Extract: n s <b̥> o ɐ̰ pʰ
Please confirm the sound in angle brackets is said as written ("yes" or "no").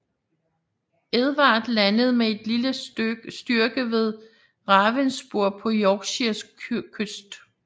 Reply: yes